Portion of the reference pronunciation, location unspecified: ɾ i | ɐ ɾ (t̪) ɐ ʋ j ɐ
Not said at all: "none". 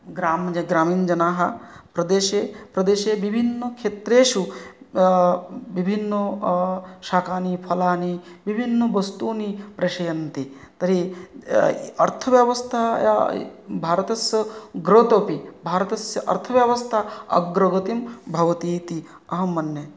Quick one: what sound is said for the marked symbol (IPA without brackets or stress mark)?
t̪ʰ